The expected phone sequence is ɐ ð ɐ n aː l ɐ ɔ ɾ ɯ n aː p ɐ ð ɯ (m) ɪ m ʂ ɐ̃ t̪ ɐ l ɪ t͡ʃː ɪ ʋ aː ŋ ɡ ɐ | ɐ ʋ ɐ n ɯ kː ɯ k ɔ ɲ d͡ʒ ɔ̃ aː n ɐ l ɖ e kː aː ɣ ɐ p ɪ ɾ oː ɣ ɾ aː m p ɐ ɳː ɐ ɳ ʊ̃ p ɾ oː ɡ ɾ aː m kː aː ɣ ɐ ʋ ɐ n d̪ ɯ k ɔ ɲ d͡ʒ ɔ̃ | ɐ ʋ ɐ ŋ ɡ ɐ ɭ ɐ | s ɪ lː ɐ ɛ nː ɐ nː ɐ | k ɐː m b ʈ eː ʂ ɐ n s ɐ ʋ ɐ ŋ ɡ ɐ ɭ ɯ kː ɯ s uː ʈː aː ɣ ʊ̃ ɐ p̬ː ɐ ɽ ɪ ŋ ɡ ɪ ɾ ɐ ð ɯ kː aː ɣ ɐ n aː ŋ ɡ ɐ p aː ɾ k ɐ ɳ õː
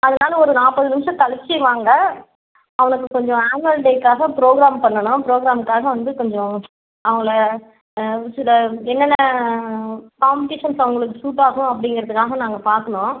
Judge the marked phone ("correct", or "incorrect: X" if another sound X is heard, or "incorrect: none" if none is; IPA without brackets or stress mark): incorrect: n